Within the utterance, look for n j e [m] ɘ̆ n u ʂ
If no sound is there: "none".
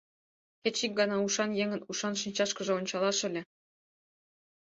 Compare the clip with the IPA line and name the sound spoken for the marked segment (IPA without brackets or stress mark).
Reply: ŋ